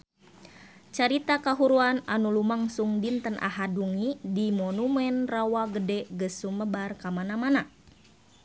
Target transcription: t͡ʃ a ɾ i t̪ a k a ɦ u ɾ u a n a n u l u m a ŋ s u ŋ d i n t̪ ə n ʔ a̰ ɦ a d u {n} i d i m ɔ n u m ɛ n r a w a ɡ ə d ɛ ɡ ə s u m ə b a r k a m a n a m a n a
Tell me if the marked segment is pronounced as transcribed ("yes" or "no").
no